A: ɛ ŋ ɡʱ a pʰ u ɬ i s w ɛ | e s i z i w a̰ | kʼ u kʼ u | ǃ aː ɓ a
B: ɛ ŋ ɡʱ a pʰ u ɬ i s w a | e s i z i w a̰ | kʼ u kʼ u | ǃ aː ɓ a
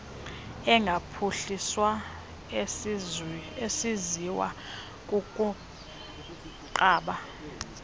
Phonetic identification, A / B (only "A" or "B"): B